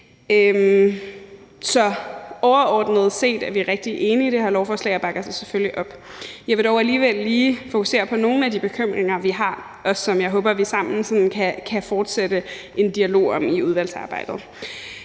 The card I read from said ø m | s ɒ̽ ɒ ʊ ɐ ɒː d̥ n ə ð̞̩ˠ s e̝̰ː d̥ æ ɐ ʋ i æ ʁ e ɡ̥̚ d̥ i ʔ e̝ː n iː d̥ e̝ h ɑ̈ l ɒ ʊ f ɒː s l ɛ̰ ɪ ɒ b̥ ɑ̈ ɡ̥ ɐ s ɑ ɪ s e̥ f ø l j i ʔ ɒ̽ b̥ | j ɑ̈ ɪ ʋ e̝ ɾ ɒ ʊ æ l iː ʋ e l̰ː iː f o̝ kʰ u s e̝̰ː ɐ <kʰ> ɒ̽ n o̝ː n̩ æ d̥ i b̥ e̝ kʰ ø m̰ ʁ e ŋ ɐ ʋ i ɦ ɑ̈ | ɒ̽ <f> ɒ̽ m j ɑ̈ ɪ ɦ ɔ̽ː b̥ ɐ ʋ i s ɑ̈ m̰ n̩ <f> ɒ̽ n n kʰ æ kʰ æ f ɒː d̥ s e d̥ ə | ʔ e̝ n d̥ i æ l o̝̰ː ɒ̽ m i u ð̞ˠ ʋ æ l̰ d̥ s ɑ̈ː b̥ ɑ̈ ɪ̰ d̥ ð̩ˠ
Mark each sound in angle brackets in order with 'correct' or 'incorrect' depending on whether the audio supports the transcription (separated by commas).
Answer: incorrect, incorrect, incorrect